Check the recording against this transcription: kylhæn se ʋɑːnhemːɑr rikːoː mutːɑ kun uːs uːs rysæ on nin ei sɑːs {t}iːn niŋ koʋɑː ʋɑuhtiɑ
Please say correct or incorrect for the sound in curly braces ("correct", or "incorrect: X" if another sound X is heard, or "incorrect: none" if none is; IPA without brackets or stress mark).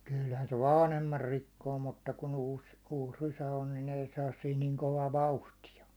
incorrect: s